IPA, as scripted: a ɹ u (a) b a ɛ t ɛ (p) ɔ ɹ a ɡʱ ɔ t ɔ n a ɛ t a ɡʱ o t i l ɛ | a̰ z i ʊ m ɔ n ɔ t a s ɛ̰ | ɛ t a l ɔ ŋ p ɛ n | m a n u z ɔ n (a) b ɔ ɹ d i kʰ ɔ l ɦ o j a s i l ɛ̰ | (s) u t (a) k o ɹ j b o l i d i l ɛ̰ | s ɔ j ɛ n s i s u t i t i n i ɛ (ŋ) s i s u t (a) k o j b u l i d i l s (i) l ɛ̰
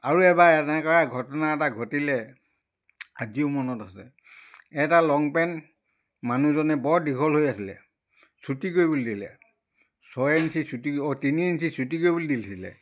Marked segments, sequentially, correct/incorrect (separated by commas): incorrect, incorrect, incorrect, correct, incorrect, incorrect, incorrect, correct